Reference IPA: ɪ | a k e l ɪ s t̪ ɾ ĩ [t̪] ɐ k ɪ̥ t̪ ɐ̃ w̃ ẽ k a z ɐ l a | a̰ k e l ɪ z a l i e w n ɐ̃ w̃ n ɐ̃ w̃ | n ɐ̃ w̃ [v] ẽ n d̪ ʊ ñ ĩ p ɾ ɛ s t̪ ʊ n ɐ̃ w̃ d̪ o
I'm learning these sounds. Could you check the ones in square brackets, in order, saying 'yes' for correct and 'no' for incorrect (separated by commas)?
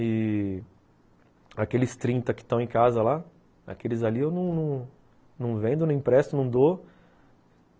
yes, yes